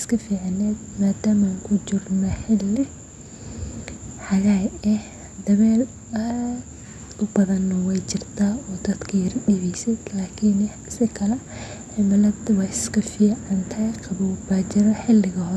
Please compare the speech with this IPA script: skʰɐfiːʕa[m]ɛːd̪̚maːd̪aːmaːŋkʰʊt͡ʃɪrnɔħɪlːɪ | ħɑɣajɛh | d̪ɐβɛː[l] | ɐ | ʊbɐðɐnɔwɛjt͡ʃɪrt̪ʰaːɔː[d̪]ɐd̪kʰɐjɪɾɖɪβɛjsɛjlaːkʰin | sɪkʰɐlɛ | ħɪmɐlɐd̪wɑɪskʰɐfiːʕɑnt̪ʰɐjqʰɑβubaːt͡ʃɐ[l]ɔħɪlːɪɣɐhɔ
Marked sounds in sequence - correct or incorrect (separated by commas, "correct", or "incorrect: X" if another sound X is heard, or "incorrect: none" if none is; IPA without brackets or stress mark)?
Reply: incorrect: n, correct, correct, incorrect: ɾ